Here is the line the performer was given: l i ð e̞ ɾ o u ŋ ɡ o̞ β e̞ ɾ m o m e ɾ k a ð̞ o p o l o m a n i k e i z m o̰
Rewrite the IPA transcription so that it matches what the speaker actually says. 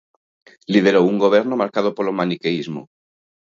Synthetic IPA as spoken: l i ð e̞ ɾ o u ŋ ɡ o̞ β e̞ ɾ n o m a ɾ k a ð̞ o p o l o m a n i k e i z m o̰